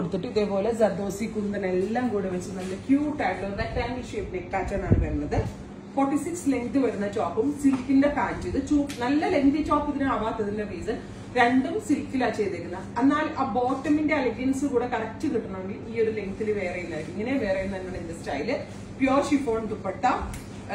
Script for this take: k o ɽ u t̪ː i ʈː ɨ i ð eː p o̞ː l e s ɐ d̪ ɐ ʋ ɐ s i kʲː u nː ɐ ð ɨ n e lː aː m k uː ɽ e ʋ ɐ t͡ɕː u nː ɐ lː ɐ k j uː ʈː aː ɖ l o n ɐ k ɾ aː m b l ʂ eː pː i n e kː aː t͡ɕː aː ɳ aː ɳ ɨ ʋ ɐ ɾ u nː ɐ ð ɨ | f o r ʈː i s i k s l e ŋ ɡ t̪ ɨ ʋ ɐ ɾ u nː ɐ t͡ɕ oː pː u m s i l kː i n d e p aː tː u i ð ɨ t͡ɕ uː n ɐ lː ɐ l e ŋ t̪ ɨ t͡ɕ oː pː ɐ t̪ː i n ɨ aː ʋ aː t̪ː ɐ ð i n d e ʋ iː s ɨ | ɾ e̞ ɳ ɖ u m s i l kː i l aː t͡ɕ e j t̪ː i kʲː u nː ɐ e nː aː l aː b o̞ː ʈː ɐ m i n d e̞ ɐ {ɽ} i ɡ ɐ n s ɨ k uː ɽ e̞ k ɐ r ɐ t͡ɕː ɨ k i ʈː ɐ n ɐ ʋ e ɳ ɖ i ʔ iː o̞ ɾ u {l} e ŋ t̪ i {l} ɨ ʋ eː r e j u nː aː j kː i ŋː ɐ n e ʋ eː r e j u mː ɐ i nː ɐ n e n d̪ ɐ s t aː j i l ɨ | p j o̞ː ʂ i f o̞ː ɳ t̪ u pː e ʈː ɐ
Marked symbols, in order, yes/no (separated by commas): no, yes, yes